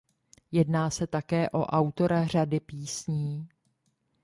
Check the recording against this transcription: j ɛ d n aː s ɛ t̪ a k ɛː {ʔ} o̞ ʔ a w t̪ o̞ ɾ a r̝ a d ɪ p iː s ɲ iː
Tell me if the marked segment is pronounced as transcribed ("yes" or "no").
yes